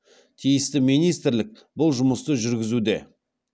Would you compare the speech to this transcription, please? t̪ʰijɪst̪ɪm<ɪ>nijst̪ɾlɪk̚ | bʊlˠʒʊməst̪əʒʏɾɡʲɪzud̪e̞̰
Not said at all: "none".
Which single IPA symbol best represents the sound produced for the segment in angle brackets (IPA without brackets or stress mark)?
i